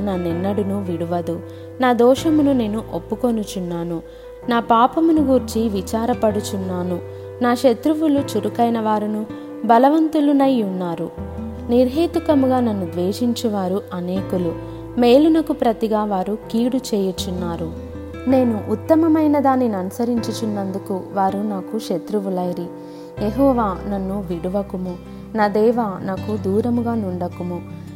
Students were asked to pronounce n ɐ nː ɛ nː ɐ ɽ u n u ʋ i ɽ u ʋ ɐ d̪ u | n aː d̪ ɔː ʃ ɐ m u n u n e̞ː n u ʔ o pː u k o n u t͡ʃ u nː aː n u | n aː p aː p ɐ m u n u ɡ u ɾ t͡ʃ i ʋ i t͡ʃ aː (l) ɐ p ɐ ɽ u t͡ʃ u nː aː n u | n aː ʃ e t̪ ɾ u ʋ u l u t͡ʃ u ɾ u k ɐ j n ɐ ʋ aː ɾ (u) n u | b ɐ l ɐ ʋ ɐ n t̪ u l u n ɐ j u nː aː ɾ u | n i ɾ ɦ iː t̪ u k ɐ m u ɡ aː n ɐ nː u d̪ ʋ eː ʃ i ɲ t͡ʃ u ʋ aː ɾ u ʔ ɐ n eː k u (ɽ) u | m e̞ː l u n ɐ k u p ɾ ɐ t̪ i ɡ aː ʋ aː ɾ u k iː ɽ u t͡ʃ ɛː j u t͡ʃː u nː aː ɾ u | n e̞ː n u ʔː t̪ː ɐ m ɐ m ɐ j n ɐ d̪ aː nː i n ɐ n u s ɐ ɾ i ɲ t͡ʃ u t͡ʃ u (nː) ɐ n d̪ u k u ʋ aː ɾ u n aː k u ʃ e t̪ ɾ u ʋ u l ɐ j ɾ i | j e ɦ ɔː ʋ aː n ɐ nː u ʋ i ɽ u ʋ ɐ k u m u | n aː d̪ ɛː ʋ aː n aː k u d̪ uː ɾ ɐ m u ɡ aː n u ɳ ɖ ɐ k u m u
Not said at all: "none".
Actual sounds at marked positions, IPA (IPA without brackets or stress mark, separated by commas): ɾ, u, l, nː